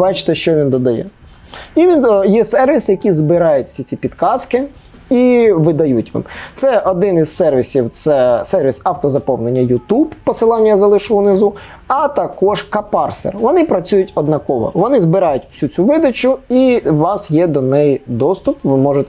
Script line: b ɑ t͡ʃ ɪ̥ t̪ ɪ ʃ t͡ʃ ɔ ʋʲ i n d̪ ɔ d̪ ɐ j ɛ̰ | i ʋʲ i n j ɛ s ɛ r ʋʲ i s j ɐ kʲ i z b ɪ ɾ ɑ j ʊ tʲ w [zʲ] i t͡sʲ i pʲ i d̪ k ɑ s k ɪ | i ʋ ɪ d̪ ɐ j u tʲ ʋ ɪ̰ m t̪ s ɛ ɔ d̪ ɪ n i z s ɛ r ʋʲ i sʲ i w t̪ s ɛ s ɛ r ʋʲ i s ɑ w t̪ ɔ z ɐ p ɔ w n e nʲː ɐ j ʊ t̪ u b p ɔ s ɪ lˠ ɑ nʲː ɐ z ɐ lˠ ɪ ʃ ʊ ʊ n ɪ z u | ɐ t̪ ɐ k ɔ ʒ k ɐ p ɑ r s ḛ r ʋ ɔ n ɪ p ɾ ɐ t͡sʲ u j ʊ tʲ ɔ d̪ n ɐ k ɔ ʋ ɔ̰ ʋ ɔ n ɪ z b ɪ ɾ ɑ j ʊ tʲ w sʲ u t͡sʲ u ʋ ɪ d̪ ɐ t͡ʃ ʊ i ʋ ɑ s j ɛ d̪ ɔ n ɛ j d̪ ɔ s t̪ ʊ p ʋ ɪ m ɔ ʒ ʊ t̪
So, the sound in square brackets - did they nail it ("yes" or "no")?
no